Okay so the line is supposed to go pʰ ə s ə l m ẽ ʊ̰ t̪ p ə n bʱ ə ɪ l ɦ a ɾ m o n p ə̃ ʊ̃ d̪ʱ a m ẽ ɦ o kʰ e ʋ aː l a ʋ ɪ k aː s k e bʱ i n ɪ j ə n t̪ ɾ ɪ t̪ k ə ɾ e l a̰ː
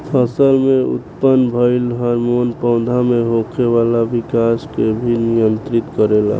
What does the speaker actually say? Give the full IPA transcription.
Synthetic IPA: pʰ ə s ə l m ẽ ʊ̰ t̪ p ə n bʱ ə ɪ l ɦ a ɾ m o n p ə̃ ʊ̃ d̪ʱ a m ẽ ɦ o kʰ e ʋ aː l a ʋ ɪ k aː s k e bʱ i n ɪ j ə n t̪ ɾ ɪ t̪ k ə ɾ e l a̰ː